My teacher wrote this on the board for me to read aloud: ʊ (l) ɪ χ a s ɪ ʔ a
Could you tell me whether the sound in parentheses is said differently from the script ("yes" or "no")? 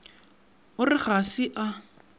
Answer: yes